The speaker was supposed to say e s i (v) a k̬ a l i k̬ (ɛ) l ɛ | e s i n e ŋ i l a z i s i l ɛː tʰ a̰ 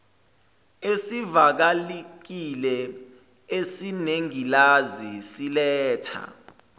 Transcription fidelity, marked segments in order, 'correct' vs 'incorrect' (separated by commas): correct, incorrect